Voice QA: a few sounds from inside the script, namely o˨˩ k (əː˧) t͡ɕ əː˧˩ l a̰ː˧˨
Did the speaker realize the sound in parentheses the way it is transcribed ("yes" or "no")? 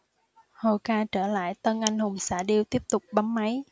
no